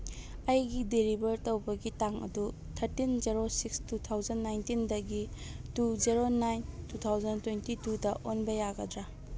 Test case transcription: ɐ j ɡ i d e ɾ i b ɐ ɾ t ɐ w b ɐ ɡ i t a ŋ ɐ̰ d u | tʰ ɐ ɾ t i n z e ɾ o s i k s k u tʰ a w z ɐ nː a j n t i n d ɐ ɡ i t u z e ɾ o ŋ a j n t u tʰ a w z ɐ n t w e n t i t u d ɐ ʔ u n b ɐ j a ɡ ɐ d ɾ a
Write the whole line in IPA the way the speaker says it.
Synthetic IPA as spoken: ɐ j ɡ i d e ɾ i b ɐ ɾ t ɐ w b ɐ ɡ i t a ŋ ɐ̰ d u | tʰ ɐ ɾ t i n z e ɾ o s i k s t u tʰ a w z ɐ nː a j n t i n d ɐ ɡ i t u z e ɾ o n a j n t u tʰ a w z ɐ n t w e n t i t u d ɐ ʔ o n b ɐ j a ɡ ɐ d ɾ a